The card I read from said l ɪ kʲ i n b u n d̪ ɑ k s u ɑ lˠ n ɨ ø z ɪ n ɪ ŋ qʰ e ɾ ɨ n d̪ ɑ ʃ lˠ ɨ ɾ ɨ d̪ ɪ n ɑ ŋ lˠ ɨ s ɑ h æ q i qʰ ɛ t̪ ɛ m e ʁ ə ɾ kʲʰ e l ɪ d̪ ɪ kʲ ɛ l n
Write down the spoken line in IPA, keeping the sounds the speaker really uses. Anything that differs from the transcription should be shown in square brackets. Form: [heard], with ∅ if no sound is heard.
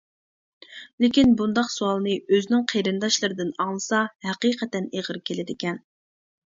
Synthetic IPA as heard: l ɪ kʲ i n b u n d̪ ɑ [q] s u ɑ lˠ n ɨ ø z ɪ n ɪ ŋ qʰ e ɾ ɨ n d̪ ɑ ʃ lˠ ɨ ɾ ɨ d̪ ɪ n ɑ ŋ lˠ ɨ s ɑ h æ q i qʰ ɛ t̪ ɛ [n] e ʁ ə ɾ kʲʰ e l ɪ d̪ ɪ kʲ ɛ [∅] n